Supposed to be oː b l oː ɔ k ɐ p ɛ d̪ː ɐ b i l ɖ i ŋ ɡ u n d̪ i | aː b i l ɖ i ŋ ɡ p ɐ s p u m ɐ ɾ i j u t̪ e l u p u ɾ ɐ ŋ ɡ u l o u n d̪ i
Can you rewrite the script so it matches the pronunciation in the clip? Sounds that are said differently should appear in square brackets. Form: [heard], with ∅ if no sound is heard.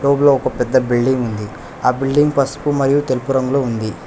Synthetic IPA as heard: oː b l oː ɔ k ɐ p ɛ d̪ː ɐ b i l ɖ i ŋ ɡ u n d̪ i | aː b i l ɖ i ŋ ɡ p ɐ s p u m ɐ ɾ i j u t̪ e l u p u ɾ ɐ ŋ ɡ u l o u n d̪ i